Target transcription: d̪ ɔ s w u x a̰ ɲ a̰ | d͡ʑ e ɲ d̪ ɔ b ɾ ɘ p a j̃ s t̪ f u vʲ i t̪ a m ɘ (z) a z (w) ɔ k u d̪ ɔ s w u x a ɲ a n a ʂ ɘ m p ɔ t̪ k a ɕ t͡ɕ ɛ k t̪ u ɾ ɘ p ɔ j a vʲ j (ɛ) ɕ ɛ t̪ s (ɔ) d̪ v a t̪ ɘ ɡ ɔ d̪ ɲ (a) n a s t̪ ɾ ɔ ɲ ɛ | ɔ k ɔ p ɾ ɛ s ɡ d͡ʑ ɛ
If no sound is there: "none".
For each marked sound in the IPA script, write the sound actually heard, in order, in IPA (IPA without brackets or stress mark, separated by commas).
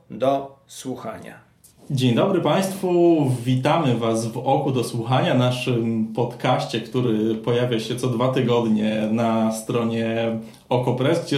v, v, a, ɔ, ɛ